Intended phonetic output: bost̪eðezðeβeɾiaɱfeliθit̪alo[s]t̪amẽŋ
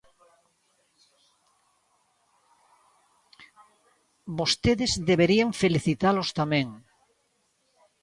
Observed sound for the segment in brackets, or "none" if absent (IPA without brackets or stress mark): s